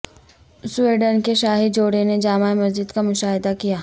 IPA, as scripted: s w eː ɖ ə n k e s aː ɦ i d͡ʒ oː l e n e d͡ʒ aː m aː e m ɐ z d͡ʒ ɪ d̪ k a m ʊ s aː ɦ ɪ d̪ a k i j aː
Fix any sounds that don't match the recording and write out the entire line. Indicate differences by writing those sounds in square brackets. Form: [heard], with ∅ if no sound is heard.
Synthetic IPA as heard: s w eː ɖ ə n k e [ʃ] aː ɦ i d͡ʒ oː [ɽ] e n e d͡ʒ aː m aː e m ɐ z d͡ʒ ɪ d̪ k a m ʊ [ʃ] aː ɦ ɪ d̪ a k i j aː